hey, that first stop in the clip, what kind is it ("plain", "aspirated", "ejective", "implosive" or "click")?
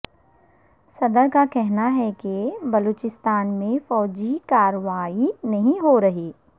plain